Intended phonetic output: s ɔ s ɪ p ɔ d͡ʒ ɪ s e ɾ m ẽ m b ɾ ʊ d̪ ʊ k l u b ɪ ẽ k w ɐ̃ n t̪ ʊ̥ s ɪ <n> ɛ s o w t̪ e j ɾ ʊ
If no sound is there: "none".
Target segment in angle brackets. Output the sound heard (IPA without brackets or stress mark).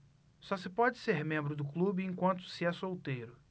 none